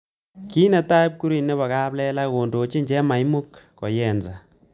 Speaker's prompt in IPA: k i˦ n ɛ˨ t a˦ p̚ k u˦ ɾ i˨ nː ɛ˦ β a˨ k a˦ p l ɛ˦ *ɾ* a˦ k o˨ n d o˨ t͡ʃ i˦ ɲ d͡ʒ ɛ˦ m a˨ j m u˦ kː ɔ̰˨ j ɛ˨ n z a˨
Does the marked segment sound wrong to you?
yes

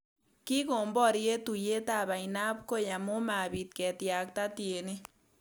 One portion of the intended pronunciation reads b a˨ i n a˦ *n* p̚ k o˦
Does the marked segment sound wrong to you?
yes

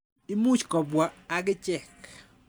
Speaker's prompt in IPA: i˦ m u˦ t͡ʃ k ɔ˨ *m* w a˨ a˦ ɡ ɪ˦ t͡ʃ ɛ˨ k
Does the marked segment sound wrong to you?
yes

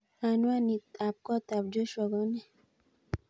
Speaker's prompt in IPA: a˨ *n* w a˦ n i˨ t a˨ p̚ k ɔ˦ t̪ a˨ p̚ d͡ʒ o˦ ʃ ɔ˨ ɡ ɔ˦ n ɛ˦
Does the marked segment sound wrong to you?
no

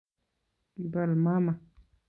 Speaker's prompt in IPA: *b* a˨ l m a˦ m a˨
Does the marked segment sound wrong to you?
no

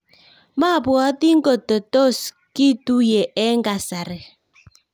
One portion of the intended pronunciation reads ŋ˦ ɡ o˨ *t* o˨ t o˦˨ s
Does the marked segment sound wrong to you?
no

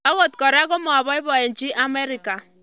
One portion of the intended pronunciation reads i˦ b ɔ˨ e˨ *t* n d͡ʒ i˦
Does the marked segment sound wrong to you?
yes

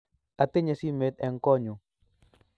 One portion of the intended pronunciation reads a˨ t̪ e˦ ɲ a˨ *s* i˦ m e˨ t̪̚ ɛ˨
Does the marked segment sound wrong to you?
no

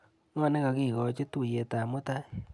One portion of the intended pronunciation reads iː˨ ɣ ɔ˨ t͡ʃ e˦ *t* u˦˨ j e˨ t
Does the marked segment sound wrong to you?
no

